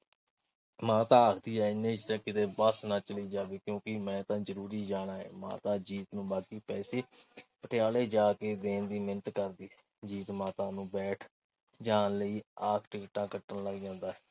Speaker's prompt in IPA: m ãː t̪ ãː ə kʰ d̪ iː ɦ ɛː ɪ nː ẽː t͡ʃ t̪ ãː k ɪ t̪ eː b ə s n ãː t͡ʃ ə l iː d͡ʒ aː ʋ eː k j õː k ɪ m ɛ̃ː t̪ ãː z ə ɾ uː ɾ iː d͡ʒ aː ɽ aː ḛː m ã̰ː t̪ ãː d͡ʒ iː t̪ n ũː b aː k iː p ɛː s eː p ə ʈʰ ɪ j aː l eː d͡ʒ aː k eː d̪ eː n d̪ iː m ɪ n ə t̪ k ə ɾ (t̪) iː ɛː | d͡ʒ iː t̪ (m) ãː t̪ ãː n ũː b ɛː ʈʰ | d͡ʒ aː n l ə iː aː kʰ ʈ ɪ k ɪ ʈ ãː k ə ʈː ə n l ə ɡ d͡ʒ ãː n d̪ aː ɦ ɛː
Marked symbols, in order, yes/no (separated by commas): no, yes